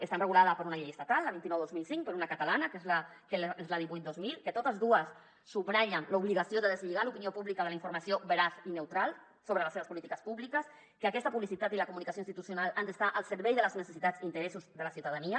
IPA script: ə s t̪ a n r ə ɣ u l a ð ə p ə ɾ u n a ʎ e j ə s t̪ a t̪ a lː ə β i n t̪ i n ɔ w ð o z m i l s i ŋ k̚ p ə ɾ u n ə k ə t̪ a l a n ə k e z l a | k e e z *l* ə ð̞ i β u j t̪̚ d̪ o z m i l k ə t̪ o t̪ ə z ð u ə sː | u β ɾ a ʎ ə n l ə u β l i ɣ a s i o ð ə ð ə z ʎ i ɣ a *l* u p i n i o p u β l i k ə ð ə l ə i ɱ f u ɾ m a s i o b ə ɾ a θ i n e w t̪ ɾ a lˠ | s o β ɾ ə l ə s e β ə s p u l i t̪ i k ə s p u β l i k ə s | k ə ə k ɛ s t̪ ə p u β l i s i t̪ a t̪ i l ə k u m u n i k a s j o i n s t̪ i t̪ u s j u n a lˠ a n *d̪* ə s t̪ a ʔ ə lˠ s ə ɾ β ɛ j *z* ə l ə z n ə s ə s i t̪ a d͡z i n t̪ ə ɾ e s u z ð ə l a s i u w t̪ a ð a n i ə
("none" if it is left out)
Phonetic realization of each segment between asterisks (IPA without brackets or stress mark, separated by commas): l, l, d̪, ð